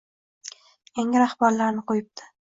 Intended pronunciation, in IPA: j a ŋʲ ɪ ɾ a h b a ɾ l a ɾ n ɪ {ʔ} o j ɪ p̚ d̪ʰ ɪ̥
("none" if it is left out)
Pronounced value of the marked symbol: q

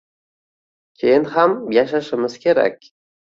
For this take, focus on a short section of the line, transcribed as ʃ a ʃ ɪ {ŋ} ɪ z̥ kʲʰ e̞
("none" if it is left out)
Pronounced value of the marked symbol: m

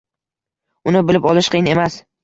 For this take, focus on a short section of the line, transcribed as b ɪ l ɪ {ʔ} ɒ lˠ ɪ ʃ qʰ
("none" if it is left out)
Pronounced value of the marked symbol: p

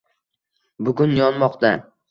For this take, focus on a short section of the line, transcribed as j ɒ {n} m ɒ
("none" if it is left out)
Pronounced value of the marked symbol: n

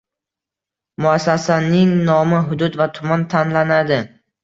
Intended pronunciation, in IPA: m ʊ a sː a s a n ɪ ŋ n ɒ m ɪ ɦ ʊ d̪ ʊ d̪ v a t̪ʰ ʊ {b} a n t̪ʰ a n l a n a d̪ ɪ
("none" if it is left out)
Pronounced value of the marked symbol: m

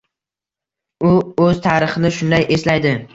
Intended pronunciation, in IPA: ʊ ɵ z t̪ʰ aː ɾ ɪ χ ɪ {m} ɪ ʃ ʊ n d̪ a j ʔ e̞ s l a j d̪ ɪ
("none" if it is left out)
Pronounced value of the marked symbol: n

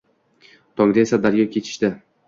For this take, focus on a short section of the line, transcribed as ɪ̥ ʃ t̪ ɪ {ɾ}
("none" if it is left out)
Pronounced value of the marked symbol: none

